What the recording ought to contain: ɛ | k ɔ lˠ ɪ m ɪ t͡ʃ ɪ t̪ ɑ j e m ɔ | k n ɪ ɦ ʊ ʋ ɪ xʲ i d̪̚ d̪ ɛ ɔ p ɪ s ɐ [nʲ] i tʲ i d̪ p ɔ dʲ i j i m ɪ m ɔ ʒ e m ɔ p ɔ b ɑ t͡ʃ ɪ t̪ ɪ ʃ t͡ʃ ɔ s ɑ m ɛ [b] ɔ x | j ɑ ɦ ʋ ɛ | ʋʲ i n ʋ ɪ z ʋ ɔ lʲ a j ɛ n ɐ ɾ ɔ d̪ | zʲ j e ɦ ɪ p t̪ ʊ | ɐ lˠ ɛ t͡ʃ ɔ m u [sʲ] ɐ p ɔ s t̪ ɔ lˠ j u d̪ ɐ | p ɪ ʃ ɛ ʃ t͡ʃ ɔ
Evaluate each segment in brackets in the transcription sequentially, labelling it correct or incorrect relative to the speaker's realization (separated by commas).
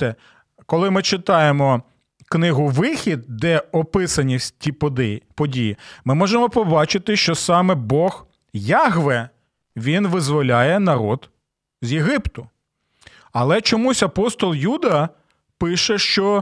correct, correct, correct